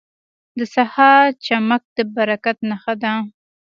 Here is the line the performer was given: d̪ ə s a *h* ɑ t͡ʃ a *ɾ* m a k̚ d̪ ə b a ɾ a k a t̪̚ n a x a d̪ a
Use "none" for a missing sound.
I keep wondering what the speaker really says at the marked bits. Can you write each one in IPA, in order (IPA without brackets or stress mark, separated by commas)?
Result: h, none